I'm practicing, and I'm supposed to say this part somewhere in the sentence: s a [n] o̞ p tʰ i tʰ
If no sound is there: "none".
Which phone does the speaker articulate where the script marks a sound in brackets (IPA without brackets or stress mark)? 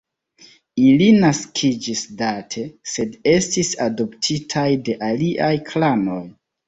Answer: d